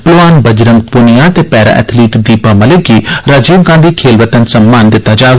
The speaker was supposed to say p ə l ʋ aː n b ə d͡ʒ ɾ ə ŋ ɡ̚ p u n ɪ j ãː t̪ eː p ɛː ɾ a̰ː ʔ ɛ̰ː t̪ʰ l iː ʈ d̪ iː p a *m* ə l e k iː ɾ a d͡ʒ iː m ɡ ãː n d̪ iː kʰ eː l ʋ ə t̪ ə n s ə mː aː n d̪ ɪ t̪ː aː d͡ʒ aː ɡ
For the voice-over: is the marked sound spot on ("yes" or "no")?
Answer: yes